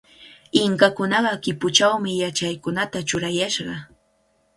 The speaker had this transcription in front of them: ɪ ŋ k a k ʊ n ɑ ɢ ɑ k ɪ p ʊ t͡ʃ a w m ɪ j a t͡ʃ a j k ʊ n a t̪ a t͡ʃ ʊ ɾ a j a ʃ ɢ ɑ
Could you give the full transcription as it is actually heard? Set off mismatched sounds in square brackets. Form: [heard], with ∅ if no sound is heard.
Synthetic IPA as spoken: ɪ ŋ k a k ʊ n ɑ ɢ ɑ k ɪ p ʊ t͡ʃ a w m ɪ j a t͡ʃ a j k ʊ n a t̪ a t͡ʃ ʊ ɾ a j a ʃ ɢ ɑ

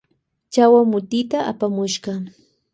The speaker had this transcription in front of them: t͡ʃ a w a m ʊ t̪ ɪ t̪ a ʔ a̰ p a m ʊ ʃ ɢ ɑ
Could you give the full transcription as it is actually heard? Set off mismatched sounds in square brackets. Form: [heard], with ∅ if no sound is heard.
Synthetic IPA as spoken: t͡ʃ a w a m ʊ t̪ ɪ t̪ a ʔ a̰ p a m ʊ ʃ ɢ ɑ

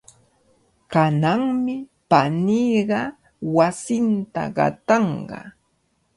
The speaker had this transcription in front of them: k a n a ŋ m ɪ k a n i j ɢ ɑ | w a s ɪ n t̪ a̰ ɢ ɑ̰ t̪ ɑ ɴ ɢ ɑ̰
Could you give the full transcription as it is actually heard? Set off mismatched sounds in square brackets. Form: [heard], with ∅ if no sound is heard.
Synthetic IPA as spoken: k a n a ŋ m ɪ [p] a n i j ɢ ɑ | w a s ɪ n t̪ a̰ ɢ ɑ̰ t̪ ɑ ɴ ɢ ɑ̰

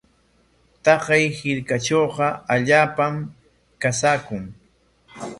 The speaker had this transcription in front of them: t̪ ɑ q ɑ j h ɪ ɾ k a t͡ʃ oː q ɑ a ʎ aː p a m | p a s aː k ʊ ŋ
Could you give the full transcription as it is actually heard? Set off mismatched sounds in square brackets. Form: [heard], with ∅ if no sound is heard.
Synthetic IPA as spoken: t̪ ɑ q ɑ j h ɪ ɾ k a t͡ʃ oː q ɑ a ʎ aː p a m | [k] a s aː k ʊ ŋ

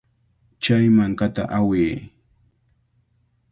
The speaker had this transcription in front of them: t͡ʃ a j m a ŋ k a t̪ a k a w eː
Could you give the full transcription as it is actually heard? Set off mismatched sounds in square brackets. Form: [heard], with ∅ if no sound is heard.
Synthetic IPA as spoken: t͡ʃ a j m a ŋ k a t̪ a [ʔ] a w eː

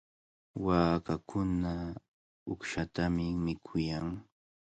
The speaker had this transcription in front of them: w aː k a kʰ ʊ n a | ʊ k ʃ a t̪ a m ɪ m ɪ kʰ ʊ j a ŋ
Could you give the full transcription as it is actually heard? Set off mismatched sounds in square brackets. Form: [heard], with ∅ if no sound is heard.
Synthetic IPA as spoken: w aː k a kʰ ʊ n a | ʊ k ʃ a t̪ a m ɪ m ɪ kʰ ʊ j a ŋ

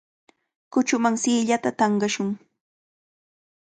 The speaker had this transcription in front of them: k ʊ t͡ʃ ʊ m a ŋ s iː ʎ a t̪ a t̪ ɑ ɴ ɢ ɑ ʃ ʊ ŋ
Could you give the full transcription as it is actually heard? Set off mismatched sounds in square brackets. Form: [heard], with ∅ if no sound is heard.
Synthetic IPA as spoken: k ʊ t͡ʃ ʊ m a ŋ s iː ʎ a t̪ a t̪ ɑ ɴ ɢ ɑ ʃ ʊ ŋ

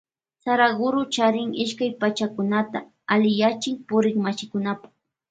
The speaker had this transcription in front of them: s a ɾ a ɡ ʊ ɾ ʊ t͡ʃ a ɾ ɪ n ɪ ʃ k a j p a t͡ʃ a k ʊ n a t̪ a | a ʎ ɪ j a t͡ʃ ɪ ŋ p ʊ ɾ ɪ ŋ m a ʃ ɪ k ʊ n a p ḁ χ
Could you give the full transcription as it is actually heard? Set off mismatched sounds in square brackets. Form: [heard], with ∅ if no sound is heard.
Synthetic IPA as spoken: s a ɾ a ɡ ʊ ɾ ʊ t͡ʃ a ɾ ɪ [ŋ] ɪ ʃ k a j p a t͡ʃ a k ʊ n a t̪ a | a [l] ɪ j a t͡ʃ ɪ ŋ p ʊ ɾ ɪ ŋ m a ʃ ɪ k ʊ n a p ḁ χ

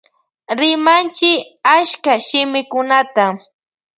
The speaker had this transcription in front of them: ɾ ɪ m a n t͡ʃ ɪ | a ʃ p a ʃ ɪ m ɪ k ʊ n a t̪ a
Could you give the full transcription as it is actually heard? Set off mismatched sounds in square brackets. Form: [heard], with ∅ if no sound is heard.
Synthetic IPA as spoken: ɾ ɪ m a n t͡ʃ ɪ | a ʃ [k] a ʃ ɪ m ɪ k ʊ n a t̪ a

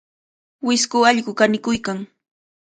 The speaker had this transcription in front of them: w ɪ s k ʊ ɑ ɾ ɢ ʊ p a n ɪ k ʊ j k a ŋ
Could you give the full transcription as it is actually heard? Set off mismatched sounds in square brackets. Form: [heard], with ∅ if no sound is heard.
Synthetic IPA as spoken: w ɪ s k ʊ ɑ [ʎ] ɢ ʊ [k] a n ɪ k ʊ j k a ŋ

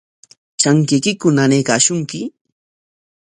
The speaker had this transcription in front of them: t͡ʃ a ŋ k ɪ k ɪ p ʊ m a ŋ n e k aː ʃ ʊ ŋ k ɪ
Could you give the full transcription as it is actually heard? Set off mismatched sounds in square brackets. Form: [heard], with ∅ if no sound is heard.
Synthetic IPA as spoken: t͡ʃ a ŋ k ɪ k ɪ [k] ʊ [n] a [∅] n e k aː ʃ ʊ ŋ k ɪ

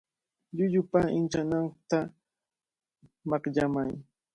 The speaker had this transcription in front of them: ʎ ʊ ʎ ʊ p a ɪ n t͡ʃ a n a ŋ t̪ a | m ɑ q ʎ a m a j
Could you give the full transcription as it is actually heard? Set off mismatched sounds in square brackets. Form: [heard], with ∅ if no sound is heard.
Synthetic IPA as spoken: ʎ ʊ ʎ ʊ p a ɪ n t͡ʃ a n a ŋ t̪ a | m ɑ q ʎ a m a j

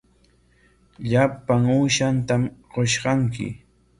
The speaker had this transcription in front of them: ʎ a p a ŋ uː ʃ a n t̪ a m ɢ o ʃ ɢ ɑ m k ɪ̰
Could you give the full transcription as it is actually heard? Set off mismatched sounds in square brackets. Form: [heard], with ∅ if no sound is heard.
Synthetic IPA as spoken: ʎ a p a ŋ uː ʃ a n t̪ a m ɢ o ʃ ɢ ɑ [ŋ] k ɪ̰

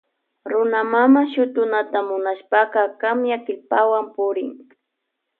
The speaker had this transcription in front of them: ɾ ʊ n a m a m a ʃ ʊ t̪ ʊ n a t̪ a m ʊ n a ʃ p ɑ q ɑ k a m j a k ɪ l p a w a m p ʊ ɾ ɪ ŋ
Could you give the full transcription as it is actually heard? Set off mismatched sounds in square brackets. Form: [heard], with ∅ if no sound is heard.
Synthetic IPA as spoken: ɾ ʊ n a m a m a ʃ ʊ t̪ ʊ n a t̪ a m ʊ n a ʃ p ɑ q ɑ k a m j a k ɪ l p a w a m p ʊ ɾ ɪ ŋ

